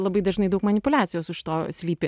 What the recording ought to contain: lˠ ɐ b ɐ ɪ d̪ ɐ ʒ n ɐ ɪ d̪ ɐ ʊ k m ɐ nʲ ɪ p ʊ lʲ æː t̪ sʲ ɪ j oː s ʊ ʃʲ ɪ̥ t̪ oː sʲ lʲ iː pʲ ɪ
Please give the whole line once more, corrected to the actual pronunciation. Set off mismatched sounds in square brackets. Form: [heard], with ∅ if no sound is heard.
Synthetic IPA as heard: lˠ ɐ b ɐ ɪ d̪ ɐ ʒ n ɐ ɪ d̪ ɐ ʊ k m ɐ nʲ ɪ p ʊ lʲ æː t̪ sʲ ɪ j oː s ʊ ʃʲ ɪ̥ t̪ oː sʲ lʲ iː pʲ ɪ